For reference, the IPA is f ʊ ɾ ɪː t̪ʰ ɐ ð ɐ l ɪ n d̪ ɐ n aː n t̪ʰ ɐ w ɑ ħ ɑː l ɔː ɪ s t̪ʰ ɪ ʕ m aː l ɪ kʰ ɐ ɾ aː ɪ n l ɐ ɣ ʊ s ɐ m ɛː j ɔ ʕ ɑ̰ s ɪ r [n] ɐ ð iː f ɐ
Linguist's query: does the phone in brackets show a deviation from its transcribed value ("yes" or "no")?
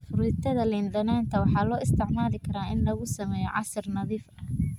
no